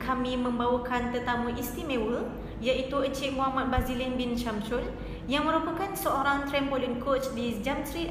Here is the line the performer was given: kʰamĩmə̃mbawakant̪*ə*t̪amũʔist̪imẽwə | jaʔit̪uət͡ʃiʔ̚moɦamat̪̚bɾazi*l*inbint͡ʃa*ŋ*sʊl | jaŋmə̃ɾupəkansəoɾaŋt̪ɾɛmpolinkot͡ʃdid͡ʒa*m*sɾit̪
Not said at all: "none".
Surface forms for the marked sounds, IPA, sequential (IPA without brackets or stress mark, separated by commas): ə, l, m, m